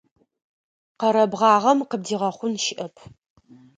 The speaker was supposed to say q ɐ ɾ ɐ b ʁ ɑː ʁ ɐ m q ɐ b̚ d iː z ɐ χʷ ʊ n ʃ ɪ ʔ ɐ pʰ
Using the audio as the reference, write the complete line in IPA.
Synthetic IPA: q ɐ ɾ ɐ b ʁ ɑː ʁ ɐ m q ə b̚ d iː ʁ ɐ χʷ ʊ n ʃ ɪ ʔ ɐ pʰ